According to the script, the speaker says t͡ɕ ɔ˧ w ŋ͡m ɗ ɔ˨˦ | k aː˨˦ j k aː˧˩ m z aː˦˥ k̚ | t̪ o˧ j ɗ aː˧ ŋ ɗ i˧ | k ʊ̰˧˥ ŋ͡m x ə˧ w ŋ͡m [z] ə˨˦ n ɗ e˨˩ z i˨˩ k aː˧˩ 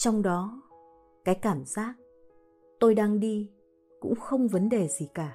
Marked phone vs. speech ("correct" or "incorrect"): incorrect